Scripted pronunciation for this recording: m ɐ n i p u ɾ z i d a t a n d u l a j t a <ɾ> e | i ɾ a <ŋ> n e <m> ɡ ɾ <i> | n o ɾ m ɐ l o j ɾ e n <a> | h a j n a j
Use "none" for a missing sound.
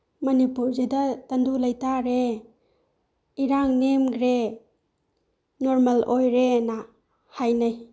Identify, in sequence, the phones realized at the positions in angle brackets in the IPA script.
ɾ, ŋ, m, e, a

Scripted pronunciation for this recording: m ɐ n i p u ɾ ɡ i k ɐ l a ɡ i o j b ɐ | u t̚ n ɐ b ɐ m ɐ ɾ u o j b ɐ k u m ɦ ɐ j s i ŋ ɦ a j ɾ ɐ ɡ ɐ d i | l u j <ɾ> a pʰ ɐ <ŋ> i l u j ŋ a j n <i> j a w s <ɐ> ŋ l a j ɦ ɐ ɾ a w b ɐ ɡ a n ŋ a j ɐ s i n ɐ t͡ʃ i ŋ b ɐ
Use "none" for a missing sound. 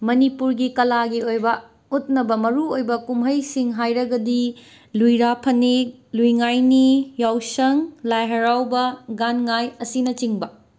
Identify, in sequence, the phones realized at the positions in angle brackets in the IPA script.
ɾ, n, i, ɐ

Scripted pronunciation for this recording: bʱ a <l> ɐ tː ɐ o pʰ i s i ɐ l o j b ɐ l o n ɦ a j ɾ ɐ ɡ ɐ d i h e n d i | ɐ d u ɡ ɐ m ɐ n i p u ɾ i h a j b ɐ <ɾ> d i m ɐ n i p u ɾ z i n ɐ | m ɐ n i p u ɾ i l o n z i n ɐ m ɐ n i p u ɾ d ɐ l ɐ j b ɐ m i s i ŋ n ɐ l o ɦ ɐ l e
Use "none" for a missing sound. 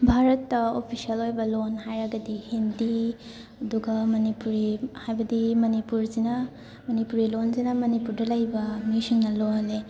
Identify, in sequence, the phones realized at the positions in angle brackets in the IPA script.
ɾ, none

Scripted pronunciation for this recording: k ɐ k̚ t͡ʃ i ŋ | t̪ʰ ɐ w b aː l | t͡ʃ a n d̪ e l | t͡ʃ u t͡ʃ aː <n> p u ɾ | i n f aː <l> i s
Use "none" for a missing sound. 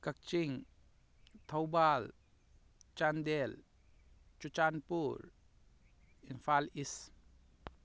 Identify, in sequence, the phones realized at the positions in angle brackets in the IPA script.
n, l

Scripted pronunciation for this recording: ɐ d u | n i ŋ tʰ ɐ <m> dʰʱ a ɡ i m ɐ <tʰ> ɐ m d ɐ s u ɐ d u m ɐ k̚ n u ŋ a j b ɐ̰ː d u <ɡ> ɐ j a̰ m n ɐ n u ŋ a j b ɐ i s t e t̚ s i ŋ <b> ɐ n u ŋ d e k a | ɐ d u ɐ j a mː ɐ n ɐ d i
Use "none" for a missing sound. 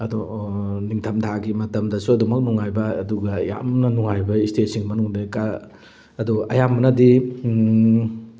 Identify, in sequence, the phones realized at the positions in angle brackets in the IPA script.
m, t, ɡ, m

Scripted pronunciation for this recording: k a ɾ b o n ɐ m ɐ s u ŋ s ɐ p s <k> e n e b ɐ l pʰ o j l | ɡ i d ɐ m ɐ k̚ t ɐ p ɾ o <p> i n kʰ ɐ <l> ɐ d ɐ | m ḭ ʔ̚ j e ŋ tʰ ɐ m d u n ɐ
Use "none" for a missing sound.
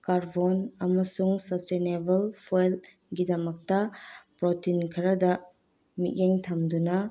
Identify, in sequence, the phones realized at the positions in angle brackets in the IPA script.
t, t, ɾ

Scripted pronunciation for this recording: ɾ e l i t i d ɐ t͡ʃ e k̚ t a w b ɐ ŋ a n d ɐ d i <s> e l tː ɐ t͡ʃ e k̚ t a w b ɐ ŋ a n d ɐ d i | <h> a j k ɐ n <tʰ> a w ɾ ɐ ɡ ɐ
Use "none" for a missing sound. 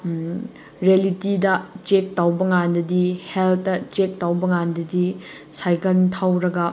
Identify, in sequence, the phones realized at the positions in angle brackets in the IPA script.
h, s, tʰ

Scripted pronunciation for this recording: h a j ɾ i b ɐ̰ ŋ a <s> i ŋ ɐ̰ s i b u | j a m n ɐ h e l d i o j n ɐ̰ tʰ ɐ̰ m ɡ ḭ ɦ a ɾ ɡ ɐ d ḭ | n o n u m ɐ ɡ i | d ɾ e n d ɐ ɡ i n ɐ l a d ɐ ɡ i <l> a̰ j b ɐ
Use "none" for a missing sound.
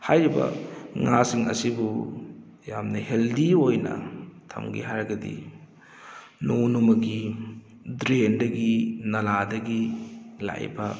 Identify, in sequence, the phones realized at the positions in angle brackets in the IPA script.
s, l

